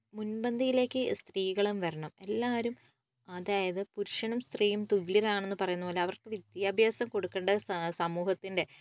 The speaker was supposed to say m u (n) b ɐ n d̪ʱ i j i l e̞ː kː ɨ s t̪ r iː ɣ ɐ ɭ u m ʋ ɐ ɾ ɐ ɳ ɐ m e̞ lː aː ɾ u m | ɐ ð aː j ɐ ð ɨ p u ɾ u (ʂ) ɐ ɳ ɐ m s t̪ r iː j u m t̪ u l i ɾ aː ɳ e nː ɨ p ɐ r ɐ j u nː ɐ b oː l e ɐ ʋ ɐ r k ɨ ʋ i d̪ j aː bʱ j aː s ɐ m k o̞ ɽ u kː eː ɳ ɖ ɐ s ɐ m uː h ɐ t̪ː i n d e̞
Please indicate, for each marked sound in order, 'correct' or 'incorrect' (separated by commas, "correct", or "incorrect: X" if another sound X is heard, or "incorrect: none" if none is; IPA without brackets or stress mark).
correct, correct